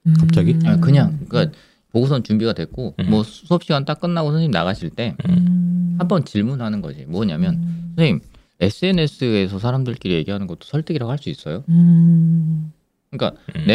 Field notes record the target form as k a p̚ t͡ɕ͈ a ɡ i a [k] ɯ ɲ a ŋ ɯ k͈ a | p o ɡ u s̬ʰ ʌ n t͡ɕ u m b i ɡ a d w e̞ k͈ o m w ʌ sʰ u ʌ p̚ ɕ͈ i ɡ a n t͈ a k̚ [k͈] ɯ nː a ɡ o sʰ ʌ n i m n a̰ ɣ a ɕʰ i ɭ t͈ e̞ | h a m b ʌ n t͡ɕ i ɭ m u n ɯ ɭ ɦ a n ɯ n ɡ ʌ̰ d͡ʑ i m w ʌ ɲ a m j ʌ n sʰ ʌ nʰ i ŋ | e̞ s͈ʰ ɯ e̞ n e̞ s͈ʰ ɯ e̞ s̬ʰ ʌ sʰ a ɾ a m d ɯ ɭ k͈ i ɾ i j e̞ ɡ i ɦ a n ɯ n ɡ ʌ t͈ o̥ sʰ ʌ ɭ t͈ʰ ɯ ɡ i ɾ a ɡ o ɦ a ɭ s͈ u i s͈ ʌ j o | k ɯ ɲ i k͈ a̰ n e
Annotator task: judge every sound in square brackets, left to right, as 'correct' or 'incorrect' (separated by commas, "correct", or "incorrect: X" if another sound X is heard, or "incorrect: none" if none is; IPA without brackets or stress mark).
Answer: correct, correct